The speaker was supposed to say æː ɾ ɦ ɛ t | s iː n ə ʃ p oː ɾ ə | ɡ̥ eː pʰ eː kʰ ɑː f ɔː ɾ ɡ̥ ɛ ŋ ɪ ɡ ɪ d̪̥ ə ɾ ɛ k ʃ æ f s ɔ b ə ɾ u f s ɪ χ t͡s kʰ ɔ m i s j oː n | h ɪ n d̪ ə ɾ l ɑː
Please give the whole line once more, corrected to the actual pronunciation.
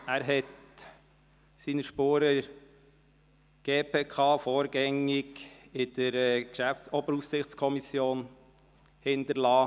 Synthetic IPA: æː ɾ ɦ ɛ t | s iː n ə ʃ p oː ɾ ə | ɡ̥ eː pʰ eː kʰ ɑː f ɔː ɾ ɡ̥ ɛ ŋ ɪ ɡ ɪ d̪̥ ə ɾ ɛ k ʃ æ f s ɔ b ə ɾ u f s ɪ χ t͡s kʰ ɔ m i s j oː n | h ɪ n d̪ ə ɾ l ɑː